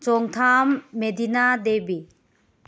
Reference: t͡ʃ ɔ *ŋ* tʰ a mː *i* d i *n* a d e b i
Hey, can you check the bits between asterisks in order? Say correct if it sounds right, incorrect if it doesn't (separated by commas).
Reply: correct, incorrect, correct